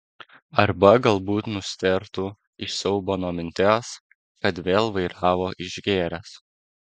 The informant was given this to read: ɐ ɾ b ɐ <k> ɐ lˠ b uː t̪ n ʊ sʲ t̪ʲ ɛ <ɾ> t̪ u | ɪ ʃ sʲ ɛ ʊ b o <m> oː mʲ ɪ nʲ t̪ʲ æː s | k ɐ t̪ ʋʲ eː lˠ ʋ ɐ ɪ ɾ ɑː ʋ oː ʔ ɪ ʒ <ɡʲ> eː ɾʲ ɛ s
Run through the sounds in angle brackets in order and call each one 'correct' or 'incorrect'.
incorrect: ɡ, correct, incorrect: n, correct

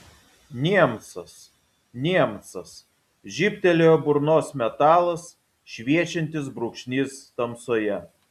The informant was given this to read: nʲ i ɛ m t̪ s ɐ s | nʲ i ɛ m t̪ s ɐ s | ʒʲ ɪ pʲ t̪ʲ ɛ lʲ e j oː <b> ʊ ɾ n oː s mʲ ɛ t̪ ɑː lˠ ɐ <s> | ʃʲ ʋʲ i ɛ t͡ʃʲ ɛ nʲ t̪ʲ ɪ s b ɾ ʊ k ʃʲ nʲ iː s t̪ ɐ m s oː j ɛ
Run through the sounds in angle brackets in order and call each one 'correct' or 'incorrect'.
correct, correct

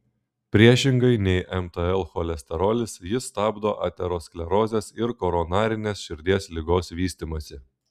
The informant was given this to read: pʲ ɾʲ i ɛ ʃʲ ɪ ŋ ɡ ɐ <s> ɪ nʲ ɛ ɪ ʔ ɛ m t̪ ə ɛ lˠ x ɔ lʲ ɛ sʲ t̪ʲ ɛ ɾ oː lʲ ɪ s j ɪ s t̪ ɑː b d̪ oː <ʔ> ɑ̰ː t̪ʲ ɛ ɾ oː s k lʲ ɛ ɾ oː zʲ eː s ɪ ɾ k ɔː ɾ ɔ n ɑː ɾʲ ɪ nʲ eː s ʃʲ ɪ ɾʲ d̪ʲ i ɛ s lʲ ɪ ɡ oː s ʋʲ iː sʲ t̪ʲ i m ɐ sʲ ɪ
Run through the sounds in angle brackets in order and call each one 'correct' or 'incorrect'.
incorrect: none, correct

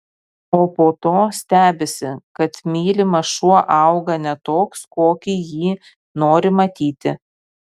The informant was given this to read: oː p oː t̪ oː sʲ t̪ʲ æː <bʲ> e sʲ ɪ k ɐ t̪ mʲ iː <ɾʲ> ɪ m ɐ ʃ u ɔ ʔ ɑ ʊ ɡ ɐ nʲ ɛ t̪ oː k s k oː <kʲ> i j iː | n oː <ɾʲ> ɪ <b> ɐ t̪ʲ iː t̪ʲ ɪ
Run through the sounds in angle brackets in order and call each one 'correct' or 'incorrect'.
correct, incorrect: lʲ, correct, correct, incorrect: m

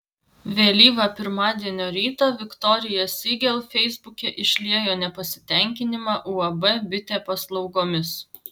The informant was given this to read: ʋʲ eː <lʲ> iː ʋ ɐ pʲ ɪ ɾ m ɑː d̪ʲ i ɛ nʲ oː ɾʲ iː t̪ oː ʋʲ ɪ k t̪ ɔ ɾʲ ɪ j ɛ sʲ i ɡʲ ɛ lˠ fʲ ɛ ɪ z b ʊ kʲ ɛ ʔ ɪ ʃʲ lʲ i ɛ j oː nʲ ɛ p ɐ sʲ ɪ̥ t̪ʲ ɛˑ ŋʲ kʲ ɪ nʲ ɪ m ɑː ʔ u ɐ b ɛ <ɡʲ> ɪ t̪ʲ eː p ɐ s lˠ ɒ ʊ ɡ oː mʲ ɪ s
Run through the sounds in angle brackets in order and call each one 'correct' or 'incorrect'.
correct, incorrect: bʲ

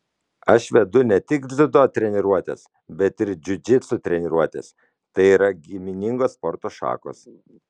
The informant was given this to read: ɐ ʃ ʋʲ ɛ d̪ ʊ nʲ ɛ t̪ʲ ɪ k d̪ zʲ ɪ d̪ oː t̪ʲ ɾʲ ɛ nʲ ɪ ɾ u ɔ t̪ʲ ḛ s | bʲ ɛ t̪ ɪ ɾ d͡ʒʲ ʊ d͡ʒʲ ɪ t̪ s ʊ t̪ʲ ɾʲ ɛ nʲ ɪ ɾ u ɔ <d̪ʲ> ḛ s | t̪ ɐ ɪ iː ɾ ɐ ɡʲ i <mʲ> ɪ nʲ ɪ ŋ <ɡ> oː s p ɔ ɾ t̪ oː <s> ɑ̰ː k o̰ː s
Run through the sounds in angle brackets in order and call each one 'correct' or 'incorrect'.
incorrect: t̪ʲ, correct, correct, incorrect: ʃ

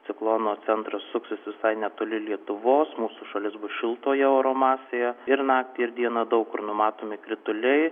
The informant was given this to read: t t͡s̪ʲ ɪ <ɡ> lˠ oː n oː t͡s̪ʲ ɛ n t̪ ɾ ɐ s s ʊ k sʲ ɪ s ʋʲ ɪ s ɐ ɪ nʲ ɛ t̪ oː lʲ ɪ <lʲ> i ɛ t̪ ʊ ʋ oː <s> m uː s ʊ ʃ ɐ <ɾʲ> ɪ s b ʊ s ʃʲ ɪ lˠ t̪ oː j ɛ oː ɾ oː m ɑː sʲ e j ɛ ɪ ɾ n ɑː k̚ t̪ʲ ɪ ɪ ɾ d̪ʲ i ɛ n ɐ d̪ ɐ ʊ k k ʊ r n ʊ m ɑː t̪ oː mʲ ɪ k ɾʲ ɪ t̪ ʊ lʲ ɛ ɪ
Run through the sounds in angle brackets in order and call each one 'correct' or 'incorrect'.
incorrect: k, correct, correct, incorrect: lʲ

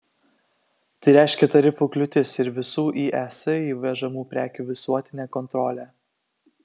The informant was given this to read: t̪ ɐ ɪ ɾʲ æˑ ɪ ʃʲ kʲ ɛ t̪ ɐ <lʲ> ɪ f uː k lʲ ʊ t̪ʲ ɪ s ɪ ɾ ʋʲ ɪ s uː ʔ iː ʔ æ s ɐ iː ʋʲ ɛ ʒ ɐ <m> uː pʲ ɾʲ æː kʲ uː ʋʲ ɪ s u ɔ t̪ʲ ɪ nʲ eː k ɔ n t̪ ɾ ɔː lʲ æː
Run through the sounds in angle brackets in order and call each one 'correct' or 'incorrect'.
incorrect: ɾʲ, correct

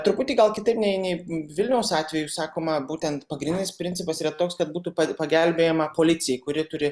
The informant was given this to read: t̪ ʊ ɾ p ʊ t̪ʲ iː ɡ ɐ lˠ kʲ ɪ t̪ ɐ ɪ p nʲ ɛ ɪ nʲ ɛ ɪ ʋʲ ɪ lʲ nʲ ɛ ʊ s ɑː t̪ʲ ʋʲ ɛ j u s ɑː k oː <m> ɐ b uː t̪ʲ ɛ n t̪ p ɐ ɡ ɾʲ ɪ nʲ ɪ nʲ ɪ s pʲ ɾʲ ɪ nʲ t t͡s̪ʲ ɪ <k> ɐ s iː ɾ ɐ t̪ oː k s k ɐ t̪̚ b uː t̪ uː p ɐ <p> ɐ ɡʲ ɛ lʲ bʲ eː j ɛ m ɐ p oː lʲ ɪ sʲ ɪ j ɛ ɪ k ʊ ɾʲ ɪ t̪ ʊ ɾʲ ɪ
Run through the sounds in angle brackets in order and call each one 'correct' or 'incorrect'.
correct, incorrect: p, correct

